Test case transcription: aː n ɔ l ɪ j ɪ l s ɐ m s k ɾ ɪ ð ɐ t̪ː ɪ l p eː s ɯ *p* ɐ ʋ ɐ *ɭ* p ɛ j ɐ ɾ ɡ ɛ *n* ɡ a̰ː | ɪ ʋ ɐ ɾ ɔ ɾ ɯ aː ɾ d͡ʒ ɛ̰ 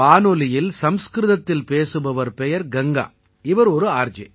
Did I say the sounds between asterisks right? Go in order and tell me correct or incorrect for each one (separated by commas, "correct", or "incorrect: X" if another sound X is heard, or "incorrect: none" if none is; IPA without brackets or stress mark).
incorrect: b, incorrect: ɾ, incorrect: ŋ